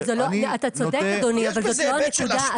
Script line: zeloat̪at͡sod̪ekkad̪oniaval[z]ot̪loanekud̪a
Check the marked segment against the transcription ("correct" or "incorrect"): correct